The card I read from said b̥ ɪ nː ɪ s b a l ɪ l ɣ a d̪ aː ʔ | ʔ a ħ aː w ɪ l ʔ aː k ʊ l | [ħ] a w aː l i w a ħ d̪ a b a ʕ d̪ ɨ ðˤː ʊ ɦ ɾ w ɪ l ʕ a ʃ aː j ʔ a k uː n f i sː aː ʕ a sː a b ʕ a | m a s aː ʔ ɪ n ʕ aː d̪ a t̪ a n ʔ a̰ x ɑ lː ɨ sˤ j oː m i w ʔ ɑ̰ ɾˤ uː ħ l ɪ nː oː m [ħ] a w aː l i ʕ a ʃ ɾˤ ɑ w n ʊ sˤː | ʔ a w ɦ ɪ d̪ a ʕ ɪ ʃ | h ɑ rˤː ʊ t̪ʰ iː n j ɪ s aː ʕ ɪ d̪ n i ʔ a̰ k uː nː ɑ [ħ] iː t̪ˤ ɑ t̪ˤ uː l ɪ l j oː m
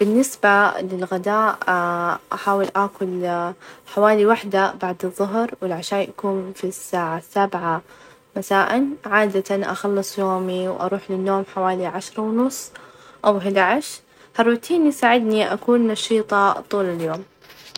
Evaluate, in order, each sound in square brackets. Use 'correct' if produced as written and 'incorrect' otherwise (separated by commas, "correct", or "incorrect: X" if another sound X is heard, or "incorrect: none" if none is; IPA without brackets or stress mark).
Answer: correct, correct, incorrect: ʃ